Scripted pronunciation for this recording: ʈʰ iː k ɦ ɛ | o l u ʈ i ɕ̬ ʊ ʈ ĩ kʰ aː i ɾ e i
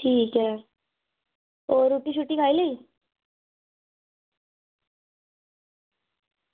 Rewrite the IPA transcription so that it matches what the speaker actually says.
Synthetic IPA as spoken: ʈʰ iː k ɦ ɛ | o ɾ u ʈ i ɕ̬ u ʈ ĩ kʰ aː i l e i